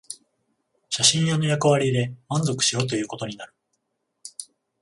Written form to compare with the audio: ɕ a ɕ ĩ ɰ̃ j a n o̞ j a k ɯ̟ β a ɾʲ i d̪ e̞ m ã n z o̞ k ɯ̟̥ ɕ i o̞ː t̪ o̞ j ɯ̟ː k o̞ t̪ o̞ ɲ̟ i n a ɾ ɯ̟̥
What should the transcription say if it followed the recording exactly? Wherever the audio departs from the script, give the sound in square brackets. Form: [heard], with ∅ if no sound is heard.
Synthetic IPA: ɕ a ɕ ĩ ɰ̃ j a n o̞ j a k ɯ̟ β a ɾʲ i d̪ e̞ m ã n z o̞ k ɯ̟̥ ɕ i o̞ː t̪ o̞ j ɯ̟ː k o̞ t̪ o̞ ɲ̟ i n a ɾ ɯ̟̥